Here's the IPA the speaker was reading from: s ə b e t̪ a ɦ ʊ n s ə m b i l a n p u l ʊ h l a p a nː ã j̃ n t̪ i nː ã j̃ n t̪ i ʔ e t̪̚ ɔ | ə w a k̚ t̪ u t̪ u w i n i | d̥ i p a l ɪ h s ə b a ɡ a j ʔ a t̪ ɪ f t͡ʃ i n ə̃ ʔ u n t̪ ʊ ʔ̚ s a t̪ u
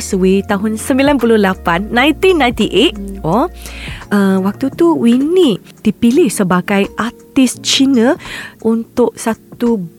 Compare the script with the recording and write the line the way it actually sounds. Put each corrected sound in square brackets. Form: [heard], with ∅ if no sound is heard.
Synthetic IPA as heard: s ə [w] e t̪ a ɦ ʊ n s ə m b i l a n p u l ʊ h l a p a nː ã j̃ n t̪ i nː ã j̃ n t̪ i ʔ e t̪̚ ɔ | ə w a k̚ t̪ u t̪ u w i n i | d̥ i p [i] l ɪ h s ə b a ɡ a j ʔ a t̪ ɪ [s] t͡ʃ i n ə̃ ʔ u n t̪ ʊ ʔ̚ s a t̪ u